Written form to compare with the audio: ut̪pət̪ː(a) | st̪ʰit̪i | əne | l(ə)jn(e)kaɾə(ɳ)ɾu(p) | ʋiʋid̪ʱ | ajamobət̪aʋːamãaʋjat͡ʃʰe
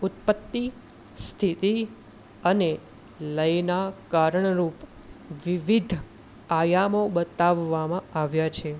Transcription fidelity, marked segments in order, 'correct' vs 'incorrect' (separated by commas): incorrect, correct, incorrect, correct, correct